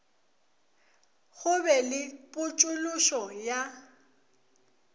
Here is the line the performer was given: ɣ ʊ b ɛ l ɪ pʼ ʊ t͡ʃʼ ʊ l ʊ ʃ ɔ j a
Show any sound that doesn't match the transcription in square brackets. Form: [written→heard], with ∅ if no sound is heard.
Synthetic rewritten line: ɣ ʊ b ɛ l ɪ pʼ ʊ t͡ʃʼ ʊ l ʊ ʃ ɔ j a

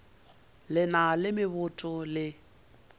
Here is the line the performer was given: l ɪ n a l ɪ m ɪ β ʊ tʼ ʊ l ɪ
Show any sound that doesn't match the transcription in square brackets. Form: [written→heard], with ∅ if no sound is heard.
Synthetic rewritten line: l ɪ n a l ɪ m ɪ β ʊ tʼ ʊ l ɪ

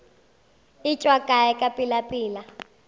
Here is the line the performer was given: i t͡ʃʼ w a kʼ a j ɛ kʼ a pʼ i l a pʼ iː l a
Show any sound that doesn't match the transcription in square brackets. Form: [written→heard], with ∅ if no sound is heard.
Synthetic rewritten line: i t͡ʃʼ w a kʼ a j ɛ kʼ a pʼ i l a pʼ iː l a

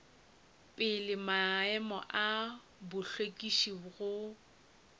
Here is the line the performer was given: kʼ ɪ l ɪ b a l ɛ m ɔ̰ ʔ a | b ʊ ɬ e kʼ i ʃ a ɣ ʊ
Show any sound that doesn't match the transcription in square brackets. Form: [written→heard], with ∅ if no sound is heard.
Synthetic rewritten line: [kʼ→pʼ] ɪ l ɪ [b→m] a [l→∅] ɛ m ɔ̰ ʔ a | b ʊ ɬ e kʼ i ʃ [a→i] ɣ ʊ

